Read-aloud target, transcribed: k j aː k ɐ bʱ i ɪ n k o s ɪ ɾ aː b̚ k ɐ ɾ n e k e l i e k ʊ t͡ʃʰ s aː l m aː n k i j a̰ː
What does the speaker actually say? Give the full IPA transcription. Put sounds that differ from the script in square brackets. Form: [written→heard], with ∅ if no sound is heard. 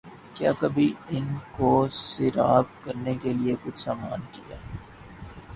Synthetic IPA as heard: k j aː k ɐ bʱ i ɪ n k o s ɪ ɾ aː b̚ k ɐ ɾ n e k e l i e k ʊ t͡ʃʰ s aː [l→∅] m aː n k i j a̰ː